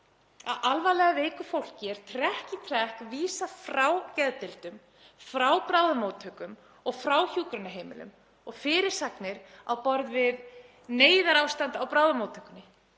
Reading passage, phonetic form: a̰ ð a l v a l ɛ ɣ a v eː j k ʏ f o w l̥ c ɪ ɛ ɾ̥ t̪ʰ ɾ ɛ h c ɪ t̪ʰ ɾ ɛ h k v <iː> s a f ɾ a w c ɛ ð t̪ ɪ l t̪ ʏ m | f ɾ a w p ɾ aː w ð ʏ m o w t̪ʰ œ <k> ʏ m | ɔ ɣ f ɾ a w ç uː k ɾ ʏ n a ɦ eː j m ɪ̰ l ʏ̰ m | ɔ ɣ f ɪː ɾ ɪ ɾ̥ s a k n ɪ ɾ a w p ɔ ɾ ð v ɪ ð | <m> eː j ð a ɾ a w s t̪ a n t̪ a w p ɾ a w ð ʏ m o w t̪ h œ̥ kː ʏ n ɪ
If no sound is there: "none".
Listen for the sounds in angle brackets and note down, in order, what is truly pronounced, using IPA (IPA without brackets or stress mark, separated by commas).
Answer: iː, k, n